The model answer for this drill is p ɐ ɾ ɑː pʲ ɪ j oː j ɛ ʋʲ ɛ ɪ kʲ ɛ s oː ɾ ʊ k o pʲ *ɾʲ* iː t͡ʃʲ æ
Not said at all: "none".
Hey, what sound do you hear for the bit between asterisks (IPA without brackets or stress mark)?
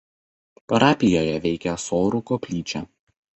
lʲ